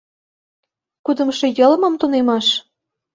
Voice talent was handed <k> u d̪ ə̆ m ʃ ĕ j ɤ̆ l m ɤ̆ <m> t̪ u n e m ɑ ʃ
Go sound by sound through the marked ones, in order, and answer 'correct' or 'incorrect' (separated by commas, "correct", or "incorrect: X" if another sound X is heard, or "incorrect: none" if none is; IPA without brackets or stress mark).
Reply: correct, correct